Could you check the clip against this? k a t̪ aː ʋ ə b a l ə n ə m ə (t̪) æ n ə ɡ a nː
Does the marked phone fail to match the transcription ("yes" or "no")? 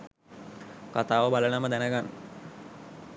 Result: yes